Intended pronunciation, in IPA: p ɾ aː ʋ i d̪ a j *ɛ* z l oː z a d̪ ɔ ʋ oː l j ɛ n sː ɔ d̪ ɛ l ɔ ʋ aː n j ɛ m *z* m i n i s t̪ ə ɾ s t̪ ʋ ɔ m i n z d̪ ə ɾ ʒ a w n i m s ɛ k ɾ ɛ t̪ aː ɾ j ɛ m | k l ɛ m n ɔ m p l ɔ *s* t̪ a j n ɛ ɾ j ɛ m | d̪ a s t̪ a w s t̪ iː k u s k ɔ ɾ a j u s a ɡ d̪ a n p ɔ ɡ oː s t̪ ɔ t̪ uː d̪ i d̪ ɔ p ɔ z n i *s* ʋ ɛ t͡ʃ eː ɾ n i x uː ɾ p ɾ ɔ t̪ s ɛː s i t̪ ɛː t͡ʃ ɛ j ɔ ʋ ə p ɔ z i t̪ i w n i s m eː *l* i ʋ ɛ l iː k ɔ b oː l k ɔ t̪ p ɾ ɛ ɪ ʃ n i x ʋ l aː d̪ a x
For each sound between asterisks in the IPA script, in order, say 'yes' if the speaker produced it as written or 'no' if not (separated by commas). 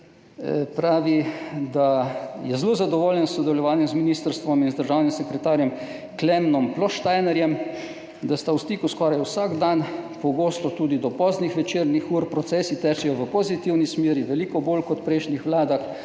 yes, yes, no, no, no